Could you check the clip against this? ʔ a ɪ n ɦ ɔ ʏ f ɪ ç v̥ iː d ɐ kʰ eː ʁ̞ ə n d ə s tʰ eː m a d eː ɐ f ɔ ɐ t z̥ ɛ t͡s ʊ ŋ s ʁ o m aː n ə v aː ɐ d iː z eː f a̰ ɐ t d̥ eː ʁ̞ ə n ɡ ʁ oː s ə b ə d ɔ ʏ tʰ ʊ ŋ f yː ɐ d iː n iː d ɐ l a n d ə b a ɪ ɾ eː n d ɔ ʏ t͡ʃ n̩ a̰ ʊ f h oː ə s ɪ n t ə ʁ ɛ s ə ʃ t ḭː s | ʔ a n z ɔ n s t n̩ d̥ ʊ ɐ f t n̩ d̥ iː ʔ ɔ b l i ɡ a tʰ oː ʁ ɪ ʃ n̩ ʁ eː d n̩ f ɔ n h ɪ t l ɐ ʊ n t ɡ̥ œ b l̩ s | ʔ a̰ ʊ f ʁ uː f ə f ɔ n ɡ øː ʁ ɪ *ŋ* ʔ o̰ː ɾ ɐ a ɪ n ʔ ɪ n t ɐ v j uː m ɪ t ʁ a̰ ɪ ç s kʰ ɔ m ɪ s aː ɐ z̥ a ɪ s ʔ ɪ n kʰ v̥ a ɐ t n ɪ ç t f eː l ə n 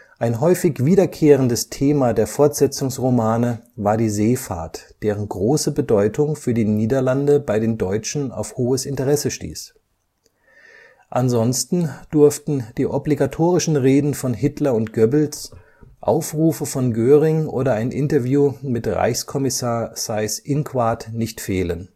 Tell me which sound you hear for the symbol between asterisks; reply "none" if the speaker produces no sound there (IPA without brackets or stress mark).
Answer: ŋ